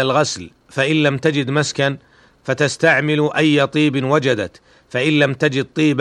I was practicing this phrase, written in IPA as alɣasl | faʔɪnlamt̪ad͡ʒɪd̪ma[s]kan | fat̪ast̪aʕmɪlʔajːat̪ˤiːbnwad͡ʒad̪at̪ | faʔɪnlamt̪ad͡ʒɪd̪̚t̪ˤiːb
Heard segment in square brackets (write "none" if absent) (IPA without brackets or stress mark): s